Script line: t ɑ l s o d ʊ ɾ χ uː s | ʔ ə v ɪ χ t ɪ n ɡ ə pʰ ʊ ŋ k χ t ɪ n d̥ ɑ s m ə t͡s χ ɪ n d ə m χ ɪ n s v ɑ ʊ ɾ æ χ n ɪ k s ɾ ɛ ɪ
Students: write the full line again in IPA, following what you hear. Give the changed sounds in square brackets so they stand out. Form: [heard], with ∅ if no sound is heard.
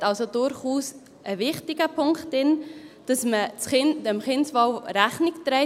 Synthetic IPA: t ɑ l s o d ʊ ɾ χ uː s | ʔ ə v ɪ χ t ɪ [∅] ɡ ə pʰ ʊ ŋ k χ t ɪ n d̥ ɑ s m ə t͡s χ ɪ n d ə m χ ɪ n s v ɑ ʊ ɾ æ χ n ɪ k [t] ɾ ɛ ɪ